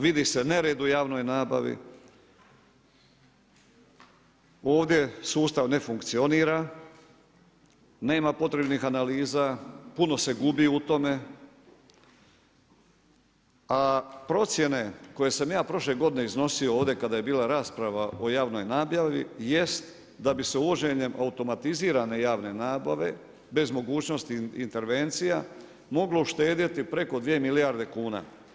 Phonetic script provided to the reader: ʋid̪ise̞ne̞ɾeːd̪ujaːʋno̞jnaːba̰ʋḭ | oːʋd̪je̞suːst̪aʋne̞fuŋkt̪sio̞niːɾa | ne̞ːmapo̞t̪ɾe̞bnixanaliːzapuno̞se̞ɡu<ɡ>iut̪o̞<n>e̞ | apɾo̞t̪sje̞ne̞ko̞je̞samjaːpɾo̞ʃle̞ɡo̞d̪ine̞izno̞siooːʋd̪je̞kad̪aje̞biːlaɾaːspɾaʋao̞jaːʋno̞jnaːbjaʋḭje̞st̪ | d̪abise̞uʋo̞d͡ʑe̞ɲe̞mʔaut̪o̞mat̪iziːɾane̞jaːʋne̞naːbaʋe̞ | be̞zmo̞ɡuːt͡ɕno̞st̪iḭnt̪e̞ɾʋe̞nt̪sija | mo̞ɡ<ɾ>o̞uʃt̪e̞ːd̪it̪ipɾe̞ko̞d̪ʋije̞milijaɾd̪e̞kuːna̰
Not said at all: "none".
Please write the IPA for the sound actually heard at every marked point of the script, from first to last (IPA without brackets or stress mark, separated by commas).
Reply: b, m, l